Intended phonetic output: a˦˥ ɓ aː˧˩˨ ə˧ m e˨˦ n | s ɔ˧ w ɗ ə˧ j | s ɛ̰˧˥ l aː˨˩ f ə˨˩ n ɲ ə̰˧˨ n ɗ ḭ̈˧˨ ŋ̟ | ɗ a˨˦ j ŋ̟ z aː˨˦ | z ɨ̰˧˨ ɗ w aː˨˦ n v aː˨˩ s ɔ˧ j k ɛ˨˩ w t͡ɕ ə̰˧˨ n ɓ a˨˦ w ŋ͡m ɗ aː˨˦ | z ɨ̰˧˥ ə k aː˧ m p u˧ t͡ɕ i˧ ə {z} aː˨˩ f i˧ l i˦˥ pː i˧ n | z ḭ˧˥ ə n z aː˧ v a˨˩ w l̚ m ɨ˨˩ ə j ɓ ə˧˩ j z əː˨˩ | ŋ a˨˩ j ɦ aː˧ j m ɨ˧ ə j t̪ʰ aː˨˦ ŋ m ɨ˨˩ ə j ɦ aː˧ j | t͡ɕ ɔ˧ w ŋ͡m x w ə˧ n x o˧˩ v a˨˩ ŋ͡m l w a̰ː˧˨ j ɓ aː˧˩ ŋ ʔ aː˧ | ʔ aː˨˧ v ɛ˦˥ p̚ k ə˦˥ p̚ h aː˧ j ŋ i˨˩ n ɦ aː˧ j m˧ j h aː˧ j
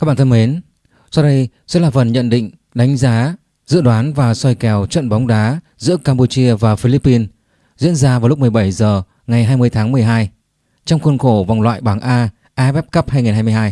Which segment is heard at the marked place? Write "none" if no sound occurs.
v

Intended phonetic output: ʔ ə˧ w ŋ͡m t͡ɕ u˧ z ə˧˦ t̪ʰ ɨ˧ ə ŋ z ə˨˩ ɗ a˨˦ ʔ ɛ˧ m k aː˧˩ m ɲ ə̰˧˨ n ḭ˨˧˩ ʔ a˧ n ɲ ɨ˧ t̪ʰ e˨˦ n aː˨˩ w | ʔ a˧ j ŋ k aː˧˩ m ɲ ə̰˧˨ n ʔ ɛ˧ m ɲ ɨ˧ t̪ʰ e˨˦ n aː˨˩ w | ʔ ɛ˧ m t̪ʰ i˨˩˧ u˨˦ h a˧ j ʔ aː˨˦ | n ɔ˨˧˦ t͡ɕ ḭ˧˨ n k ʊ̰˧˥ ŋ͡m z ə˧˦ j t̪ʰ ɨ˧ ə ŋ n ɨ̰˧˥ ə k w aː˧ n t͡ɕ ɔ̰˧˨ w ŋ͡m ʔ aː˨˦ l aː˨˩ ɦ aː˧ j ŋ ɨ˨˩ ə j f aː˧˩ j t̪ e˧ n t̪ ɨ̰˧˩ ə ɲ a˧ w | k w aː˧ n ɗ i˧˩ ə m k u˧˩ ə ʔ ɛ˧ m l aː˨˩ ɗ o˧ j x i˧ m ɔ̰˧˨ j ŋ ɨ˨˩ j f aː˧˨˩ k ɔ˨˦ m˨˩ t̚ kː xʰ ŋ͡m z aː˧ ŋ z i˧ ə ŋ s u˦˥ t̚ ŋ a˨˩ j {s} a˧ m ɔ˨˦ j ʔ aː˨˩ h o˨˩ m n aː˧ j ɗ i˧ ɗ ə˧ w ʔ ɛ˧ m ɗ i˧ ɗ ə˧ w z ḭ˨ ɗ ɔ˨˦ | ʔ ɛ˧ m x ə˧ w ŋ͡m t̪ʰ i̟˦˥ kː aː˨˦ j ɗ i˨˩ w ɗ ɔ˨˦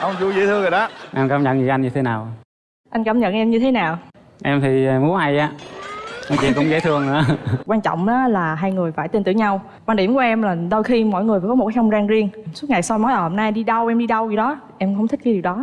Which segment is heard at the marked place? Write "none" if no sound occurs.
s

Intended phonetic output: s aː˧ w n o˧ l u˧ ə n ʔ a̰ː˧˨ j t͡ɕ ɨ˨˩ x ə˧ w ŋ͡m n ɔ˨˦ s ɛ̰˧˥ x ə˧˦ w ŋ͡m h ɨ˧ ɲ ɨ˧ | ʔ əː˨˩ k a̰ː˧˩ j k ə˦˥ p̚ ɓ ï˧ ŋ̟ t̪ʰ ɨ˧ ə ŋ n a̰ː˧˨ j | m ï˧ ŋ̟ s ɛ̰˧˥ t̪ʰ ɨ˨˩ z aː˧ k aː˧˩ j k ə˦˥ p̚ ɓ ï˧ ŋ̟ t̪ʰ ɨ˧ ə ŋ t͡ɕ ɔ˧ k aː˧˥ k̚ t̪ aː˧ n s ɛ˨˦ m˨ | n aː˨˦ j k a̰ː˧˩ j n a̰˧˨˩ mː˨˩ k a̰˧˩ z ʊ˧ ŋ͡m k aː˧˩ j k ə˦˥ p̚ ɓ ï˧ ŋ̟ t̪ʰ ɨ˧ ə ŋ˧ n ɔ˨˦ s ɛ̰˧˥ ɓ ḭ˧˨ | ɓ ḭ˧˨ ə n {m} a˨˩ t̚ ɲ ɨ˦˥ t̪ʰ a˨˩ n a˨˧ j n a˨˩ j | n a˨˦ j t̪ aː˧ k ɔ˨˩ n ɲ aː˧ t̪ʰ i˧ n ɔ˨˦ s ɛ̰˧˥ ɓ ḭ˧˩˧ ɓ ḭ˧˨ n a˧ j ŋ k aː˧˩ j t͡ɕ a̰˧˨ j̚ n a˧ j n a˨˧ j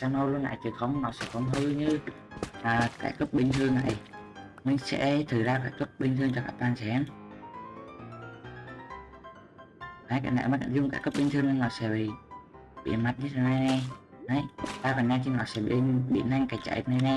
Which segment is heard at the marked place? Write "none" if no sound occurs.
m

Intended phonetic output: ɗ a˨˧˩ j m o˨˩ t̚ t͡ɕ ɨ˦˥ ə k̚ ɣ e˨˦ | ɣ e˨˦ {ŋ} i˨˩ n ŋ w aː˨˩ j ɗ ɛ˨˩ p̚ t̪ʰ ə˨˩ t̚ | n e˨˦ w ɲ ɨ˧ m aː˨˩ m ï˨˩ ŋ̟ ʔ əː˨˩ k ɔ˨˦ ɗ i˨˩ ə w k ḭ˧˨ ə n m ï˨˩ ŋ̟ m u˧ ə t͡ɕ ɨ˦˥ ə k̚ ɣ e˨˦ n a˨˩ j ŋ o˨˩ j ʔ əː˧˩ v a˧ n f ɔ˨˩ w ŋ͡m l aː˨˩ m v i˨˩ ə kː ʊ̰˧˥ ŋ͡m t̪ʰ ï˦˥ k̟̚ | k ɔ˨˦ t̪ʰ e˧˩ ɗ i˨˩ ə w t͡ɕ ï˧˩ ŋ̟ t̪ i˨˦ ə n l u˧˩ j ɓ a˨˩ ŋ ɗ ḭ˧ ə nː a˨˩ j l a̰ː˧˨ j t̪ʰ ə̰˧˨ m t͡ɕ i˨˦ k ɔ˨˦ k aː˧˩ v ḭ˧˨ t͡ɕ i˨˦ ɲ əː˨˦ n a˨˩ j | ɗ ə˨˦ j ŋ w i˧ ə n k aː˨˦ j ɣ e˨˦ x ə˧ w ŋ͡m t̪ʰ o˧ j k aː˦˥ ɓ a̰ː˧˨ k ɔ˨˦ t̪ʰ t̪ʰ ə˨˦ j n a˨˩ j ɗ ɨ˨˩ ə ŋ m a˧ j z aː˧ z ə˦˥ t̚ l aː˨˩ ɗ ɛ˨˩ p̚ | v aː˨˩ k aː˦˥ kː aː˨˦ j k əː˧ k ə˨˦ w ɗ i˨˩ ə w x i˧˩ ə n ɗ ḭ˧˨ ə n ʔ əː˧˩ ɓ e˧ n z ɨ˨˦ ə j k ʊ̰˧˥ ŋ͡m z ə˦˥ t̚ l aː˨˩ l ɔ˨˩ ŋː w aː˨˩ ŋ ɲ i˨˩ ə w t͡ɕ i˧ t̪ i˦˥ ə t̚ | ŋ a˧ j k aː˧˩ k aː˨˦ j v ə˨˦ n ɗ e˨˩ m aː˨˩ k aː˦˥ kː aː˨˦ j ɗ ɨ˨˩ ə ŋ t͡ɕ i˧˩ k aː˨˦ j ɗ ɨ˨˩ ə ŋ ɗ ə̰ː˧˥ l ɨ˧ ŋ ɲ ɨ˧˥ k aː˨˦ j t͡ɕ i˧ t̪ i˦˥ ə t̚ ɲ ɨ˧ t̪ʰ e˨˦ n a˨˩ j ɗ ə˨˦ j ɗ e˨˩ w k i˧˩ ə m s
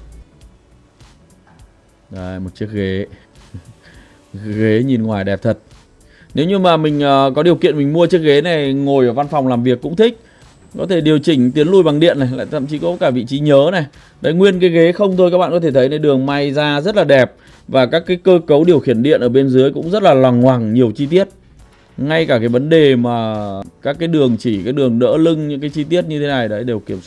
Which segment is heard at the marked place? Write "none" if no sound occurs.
ɲ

